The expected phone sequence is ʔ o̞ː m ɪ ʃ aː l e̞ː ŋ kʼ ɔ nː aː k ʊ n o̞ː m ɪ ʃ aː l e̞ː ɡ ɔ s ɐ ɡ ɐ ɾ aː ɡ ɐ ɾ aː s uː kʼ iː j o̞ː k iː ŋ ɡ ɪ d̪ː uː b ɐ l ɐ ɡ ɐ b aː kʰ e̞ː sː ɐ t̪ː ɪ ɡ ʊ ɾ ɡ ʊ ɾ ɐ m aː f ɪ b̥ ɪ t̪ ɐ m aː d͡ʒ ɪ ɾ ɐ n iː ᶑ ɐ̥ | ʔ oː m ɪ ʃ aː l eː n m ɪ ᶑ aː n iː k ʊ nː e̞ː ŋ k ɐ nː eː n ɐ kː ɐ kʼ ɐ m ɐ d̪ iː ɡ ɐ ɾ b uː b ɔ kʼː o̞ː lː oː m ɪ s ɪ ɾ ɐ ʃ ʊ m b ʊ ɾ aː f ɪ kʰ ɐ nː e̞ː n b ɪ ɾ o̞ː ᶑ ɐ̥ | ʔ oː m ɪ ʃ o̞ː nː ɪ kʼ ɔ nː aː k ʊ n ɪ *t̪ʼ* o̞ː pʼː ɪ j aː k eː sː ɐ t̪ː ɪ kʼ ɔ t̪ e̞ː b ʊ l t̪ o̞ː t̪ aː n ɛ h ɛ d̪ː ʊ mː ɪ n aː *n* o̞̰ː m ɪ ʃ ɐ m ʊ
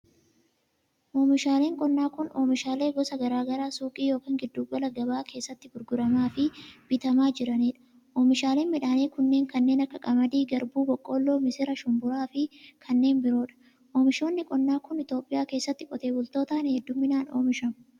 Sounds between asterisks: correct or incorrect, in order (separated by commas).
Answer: incorrect, correct